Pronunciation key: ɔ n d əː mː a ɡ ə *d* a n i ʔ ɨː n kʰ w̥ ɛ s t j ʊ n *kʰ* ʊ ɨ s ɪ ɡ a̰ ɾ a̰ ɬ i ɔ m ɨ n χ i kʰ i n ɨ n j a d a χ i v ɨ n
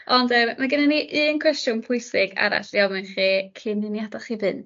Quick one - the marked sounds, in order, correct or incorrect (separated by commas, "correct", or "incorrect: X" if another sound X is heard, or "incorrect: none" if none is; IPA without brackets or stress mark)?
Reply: incorrect: n, incorrect: pʰ